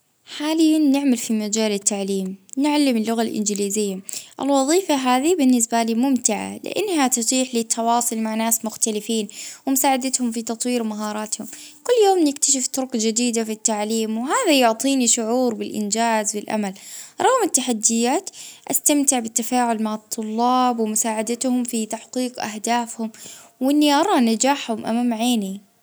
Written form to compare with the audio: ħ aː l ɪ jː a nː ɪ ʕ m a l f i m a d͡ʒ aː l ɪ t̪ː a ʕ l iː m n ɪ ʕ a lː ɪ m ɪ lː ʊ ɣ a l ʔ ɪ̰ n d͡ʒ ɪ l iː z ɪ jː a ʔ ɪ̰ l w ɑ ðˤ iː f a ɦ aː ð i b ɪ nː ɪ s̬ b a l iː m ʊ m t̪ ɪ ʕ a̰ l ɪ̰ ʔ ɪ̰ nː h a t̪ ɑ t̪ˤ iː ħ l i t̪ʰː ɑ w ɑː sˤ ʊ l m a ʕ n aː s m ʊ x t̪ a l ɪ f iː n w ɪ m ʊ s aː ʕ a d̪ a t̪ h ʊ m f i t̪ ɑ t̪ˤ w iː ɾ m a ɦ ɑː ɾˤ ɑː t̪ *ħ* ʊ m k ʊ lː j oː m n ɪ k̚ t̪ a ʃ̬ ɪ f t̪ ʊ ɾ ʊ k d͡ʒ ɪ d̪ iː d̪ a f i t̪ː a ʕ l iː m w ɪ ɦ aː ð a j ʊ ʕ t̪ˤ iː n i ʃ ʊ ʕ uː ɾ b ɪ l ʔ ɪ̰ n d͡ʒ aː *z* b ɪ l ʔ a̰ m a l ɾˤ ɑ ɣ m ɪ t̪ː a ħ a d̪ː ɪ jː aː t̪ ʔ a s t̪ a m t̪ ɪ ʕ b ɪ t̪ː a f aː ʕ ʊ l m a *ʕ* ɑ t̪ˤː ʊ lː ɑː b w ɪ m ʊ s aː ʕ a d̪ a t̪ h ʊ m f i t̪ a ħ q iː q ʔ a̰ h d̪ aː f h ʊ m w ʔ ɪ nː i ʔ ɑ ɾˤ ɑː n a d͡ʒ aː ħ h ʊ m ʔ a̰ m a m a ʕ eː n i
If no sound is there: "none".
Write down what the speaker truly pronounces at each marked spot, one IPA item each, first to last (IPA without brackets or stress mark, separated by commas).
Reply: h, z, ʕ